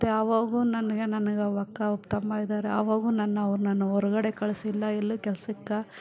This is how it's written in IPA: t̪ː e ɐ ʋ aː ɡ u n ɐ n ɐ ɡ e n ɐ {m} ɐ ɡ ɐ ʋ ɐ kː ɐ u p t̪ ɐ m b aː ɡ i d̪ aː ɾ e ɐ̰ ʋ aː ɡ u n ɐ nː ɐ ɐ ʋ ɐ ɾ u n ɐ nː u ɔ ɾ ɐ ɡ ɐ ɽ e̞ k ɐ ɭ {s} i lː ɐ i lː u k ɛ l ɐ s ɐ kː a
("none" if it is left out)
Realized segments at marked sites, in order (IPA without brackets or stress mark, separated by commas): n, s